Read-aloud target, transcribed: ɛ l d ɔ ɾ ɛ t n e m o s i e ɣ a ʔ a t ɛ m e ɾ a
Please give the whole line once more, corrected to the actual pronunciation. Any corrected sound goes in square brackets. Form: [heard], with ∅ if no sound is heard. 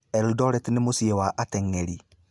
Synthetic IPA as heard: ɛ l d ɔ ɾ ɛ t n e m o s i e [w] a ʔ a t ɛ [ŋ] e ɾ [i]